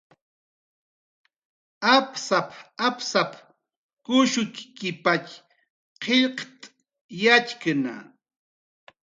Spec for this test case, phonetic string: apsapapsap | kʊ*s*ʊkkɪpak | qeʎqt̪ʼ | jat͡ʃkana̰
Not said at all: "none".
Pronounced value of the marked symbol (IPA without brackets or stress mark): ʃ